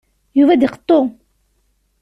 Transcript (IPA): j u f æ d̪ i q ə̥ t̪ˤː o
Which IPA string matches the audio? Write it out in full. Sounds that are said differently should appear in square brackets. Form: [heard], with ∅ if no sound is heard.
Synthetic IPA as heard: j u [v] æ d̪ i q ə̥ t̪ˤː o